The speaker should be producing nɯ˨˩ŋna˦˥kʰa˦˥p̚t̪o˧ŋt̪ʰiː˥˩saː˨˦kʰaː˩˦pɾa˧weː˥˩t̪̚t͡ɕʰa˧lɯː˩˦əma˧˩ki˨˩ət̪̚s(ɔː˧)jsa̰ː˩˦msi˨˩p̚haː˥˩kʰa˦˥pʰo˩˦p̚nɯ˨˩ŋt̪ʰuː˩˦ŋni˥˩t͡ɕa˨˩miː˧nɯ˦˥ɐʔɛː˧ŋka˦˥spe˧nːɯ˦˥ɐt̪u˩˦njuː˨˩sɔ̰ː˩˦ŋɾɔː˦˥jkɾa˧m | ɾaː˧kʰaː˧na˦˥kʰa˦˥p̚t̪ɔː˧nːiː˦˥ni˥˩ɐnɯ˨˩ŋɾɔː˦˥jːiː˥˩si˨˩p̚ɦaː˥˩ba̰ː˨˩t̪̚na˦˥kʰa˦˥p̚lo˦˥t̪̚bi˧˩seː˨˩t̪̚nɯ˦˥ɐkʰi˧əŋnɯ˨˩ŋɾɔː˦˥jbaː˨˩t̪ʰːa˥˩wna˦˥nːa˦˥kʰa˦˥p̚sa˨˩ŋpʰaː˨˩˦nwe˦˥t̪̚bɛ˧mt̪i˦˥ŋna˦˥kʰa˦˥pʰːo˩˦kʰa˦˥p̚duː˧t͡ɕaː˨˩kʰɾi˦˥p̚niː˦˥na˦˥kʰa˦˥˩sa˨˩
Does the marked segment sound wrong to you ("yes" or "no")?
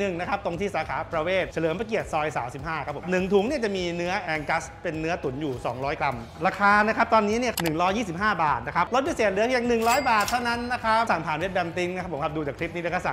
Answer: no